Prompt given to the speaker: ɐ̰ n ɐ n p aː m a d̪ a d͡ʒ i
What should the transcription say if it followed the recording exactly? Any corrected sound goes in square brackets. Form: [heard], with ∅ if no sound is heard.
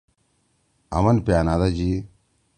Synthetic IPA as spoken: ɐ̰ [m] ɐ n p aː [n] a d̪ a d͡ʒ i